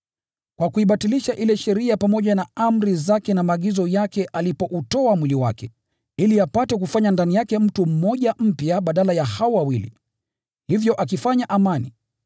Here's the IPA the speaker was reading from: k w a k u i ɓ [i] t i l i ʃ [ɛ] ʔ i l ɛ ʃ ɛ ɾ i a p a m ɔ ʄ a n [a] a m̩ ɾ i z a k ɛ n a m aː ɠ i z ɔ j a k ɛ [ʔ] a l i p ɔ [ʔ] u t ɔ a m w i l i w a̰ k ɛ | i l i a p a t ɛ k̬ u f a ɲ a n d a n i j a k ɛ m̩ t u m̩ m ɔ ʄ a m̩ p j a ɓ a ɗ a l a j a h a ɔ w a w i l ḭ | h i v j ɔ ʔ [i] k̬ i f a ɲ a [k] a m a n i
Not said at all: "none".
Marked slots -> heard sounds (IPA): a, a, a, ʔ, ʔ, a, ʔ

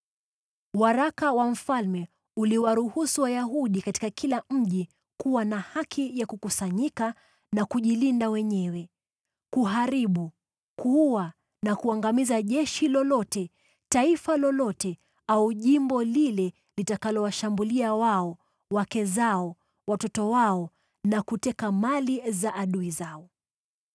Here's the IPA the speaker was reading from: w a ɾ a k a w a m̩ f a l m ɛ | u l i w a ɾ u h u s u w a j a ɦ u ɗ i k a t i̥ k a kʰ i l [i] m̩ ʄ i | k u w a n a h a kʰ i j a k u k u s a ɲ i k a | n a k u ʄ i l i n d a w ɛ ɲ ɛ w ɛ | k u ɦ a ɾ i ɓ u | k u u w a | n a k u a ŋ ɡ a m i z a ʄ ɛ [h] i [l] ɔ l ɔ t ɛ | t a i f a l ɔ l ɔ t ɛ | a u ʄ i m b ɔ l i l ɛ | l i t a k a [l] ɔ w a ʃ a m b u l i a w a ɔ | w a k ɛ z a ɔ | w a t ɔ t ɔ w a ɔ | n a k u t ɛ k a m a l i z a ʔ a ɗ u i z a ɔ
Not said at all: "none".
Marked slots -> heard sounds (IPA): a, ʃ, l, l

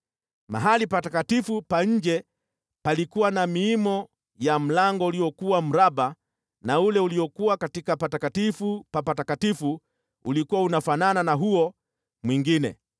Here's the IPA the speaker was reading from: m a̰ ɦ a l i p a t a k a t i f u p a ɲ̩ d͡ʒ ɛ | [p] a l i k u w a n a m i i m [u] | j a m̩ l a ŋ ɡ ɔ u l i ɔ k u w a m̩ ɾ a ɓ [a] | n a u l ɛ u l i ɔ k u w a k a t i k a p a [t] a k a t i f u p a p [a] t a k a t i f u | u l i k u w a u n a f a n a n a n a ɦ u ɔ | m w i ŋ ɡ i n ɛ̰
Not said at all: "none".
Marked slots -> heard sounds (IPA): p, ɔ, a, t, a

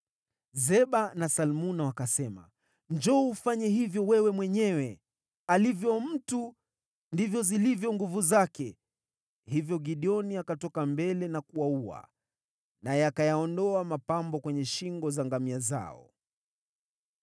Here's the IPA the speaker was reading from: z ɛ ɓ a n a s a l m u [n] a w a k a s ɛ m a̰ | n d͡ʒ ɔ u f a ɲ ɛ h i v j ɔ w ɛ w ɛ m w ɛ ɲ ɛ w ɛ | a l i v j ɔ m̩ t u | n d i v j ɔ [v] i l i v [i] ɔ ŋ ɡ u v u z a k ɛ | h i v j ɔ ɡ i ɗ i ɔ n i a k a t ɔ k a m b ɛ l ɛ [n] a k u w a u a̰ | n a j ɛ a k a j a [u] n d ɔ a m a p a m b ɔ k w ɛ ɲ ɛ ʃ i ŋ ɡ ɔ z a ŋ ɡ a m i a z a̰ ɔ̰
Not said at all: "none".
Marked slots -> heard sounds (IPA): n, z, j, n, ɔ

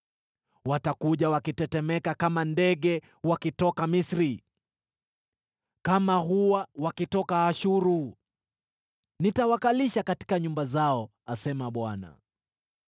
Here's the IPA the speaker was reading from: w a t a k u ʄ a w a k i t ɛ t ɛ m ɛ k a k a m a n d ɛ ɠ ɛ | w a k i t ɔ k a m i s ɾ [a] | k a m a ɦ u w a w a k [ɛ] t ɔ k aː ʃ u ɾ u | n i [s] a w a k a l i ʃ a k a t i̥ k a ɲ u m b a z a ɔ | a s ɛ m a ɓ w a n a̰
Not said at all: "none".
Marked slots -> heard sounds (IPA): i, i, t

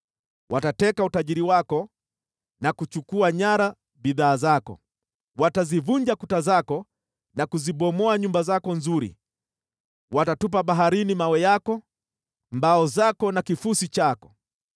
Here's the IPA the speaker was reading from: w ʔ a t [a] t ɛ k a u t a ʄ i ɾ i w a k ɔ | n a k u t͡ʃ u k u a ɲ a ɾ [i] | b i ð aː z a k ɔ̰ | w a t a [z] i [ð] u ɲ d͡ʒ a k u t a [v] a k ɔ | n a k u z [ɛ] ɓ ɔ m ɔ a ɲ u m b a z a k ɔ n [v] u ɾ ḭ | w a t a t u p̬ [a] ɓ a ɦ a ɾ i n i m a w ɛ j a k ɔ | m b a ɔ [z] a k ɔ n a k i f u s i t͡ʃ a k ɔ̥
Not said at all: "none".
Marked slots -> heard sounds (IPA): a, a, z, v, z, i, z, a, z

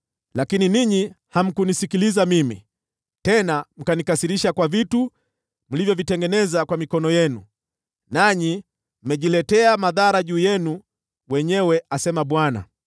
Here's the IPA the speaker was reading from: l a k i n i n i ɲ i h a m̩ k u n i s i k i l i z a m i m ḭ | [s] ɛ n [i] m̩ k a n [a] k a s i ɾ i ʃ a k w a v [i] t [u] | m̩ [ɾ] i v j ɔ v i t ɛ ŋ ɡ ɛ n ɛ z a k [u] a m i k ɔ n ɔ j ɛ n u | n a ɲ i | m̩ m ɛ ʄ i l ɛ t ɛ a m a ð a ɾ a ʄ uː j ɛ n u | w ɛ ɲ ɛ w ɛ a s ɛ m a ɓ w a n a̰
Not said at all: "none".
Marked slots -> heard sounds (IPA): t, a, i, i, u, l, w

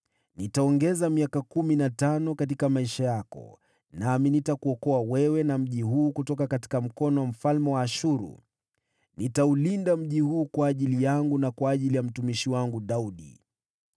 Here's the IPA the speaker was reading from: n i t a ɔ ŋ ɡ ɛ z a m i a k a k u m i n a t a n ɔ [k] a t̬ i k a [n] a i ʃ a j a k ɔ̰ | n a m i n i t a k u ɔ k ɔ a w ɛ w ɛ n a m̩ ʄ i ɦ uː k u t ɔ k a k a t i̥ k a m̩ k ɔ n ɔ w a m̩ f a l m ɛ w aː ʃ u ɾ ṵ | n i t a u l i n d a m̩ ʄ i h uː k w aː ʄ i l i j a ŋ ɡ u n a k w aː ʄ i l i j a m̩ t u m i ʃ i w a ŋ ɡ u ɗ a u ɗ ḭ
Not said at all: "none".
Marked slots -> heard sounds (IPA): k, m

